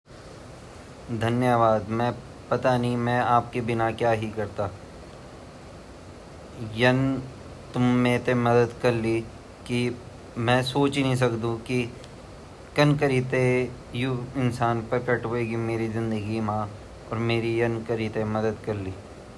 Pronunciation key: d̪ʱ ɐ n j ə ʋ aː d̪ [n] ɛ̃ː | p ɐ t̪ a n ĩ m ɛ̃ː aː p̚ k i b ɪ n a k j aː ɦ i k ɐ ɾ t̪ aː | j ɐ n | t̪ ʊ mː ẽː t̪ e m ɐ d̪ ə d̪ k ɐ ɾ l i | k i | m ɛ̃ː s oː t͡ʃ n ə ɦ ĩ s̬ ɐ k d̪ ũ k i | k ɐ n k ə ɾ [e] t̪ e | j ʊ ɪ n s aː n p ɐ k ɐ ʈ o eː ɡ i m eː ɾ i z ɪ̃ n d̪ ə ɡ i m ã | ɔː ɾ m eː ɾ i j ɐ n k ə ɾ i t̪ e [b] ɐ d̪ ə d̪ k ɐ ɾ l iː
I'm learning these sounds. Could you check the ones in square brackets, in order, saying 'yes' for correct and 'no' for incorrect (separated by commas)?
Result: no, no, no